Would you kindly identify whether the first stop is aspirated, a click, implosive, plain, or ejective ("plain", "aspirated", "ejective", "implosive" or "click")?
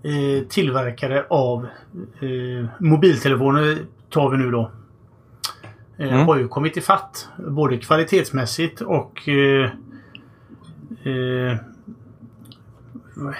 aspirated